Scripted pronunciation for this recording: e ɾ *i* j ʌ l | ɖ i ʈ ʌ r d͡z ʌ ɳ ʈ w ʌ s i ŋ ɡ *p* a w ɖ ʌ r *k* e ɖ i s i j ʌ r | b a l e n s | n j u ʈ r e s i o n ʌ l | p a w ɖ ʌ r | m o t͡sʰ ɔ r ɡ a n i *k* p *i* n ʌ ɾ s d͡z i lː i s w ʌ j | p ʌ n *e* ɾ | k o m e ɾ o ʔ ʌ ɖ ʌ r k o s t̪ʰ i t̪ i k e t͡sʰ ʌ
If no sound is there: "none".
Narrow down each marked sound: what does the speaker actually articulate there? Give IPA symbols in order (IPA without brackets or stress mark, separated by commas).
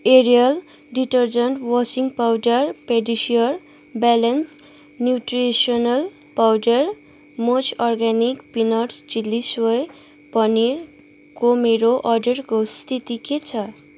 i, p, p, k, i, i